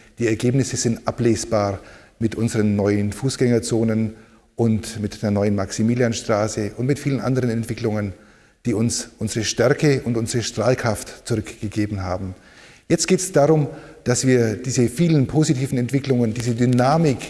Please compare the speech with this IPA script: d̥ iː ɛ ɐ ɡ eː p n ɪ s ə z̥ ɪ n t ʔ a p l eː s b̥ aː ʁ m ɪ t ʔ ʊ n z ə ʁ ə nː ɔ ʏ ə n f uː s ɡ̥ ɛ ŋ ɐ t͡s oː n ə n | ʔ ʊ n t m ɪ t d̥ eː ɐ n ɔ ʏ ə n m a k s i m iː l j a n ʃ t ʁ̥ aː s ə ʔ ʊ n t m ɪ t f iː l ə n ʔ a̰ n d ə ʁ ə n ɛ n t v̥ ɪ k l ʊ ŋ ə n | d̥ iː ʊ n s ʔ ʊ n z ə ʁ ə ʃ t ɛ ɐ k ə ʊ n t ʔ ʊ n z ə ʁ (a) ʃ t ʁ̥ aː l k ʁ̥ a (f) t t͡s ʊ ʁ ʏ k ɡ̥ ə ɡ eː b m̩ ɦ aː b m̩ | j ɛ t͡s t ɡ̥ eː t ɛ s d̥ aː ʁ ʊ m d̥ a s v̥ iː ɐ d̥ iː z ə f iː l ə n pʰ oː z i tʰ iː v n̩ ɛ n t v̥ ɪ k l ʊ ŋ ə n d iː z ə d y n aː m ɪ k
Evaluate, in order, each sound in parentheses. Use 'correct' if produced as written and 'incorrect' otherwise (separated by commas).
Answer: incorrect, correct